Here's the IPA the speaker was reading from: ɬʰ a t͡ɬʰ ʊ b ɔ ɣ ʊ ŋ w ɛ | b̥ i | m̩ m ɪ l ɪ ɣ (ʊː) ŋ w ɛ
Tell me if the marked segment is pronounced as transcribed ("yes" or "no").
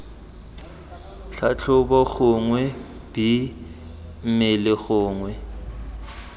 yes